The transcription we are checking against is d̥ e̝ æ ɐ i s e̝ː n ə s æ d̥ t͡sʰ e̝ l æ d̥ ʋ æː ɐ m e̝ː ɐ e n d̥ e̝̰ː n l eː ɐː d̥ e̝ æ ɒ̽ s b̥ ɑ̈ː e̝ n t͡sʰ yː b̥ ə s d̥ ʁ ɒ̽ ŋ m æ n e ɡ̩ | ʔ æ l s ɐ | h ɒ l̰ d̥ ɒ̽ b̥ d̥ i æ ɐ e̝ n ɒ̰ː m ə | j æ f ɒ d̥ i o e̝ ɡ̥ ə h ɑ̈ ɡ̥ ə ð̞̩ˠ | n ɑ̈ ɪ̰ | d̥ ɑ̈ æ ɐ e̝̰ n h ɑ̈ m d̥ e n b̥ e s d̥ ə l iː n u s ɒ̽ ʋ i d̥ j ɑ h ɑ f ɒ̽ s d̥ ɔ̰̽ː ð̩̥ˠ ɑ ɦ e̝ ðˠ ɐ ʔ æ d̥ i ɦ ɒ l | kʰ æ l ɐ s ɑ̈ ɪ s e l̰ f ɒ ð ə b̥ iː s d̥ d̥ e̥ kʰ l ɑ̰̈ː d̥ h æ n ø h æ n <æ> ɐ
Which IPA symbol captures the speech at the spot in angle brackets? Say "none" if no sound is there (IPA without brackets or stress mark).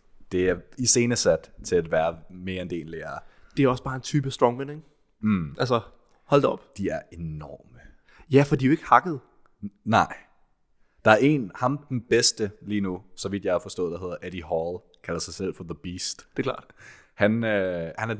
æ